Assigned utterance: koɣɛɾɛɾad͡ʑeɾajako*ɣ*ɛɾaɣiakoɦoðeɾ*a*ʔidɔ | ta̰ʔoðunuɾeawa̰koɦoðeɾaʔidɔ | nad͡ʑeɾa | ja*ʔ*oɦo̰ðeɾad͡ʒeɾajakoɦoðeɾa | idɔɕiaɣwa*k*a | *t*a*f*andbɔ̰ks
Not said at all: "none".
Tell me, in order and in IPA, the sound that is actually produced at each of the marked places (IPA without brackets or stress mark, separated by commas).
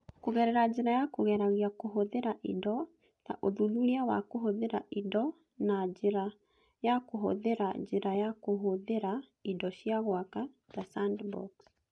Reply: ɣ, a, k, k, t, s